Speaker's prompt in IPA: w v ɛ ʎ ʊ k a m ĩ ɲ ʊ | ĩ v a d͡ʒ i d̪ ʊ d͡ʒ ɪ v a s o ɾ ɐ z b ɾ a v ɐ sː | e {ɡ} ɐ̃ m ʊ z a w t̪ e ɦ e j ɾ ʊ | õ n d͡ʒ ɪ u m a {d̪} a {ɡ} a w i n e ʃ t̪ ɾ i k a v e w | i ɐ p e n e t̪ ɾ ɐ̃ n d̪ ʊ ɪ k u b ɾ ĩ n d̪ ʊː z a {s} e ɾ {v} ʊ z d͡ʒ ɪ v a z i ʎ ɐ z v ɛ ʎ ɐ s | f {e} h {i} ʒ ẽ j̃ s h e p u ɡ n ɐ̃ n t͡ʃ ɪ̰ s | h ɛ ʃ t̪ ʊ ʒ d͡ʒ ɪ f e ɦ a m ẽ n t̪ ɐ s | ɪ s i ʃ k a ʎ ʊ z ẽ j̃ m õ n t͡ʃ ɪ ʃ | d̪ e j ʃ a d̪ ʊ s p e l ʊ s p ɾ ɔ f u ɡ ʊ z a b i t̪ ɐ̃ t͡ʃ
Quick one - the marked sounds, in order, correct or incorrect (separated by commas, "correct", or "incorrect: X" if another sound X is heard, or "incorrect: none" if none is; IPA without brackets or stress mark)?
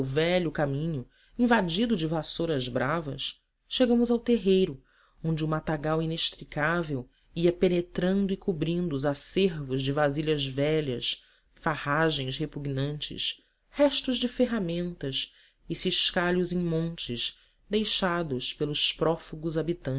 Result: correct, incorrect: t̪, correct, correct, correct, incorrect: a, incorrect: a